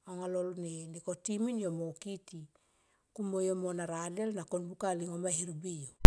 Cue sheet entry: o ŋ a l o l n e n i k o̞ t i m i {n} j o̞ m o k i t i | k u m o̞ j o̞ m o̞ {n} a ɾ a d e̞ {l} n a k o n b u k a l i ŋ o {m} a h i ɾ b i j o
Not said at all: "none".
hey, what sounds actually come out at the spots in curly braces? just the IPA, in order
n, n, l, m

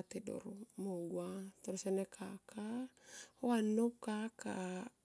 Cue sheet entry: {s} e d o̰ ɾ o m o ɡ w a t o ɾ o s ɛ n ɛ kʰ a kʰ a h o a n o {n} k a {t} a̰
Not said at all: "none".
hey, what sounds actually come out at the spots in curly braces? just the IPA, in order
t, none, k

